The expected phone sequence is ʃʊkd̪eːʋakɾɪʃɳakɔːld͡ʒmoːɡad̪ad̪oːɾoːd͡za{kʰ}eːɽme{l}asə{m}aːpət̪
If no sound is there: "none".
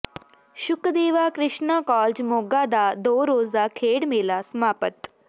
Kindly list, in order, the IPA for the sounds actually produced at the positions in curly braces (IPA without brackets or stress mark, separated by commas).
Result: kʰ, l, m